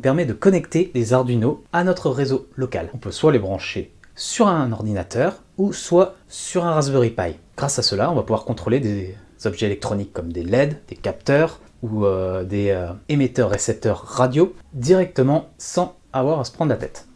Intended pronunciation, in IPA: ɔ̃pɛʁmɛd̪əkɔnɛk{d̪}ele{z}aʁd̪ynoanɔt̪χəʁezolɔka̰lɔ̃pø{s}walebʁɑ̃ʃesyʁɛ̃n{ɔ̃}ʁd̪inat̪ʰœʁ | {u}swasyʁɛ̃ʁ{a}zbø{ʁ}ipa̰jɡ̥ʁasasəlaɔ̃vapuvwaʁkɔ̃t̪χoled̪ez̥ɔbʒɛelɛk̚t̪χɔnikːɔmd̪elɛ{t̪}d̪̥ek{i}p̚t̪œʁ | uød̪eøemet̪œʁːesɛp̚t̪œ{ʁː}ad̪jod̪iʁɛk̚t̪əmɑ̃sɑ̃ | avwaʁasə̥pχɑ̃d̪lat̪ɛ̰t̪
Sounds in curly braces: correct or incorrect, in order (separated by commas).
incorrect, correct, correct, incorrect, correct, correct, correct, incorrect, incorrect, correct